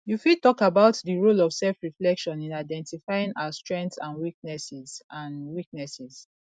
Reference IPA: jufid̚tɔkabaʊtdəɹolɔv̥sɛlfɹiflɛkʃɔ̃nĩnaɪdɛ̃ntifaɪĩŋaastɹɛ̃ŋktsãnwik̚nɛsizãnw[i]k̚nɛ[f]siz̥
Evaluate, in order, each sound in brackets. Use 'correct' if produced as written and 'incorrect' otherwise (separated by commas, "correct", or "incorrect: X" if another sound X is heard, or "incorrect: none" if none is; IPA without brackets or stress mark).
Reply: correct, incorrect: none